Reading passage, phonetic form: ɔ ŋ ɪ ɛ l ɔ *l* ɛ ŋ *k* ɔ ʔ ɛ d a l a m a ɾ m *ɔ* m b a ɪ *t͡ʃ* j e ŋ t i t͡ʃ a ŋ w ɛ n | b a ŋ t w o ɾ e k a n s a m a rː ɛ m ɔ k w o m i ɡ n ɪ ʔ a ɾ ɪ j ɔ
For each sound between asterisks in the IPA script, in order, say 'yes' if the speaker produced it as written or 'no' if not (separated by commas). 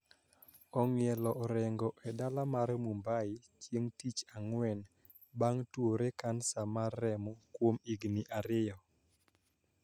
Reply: no, no, no, yes